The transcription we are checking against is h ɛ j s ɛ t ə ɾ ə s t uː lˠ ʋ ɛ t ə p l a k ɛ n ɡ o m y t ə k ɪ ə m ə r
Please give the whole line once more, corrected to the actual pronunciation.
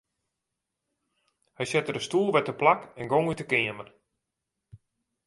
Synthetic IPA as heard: h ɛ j s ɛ t ə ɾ ə s t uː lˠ ʋ ɛ t ə p l a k ɛ n ɡ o ŋ y t ə k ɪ ə m ə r